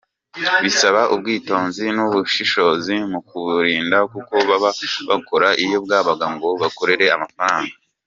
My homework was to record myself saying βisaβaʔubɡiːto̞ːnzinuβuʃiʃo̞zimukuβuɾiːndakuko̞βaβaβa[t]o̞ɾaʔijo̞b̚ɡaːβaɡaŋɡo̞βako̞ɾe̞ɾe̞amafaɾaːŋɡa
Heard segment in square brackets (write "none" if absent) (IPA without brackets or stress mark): k